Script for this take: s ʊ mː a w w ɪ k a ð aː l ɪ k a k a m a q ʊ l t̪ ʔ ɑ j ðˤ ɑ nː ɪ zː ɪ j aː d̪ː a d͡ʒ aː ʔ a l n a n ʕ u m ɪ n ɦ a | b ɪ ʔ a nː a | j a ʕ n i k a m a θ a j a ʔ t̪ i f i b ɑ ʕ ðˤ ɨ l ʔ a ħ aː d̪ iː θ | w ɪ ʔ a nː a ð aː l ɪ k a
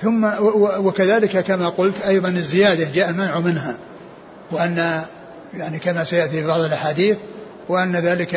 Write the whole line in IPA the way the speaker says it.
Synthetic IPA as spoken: θ ʊ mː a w w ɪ k a ð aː l ɪ k a k a m a q ʊ l t̪ ʔ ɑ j ðˤ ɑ n ɪ zː ɪ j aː d̪ a d͡ʒ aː ʔ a l m a n ʕ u m ɪ n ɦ a | w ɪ ʔ a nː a | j a ʕ n i k a m a s a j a ʔ t̪ i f i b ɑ ʕ ðˤ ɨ l ʔ a ħ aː d̪ iː θ | w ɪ ʔ a nː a ð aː l ɪ k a